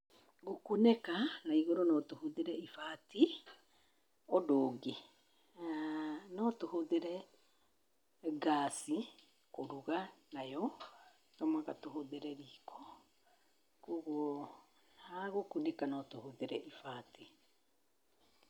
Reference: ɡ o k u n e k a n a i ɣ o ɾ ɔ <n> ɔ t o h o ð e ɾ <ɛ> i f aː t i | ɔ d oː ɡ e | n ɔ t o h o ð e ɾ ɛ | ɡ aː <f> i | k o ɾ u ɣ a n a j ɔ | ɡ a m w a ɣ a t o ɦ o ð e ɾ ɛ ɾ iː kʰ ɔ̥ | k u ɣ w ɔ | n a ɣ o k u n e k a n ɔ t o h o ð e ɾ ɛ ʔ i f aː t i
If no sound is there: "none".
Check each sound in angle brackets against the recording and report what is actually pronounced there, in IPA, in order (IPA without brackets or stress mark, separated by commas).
n, ɛ, s